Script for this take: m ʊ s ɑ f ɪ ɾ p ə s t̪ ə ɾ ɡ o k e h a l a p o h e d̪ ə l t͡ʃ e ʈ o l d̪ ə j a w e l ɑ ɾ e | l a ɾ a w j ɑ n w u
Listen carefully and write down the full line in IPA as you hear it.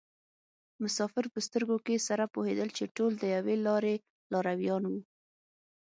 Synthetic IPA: m ʊ s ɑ f ɪ ɾ p ə s t̪ ə ɾ ɡ o k e s a ɾ a p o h e d̪ ə l t͡ʃ e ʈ o l d̪ ə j a w e l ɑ ɾ e | l ɑ ɾ a w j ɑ n w u